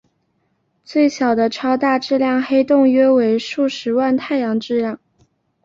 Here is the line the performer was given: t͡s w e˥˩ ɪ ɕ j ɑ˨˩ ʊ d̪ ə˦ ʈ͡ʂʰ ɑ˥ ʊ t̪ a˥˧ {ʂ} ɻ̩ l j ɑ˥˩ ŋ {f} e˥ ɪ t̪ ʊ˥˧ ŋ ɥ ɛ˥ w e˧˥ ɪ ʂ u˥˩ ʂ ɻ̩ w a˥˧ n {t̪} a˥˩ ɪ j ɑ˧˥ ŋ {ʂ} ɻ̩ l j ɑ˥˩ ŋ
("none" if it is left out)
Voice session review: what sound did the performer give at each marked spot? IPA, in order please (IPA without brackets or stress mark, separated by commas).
ʈ͡ʂ, x, t̪ʰ, ʈ͡ʂ